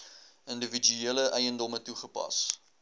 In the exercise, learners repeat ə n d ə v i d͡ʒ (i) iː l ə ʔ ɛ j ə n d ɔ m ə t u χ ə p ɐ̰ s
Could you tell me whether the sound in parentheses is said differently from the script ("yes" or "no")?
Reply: yes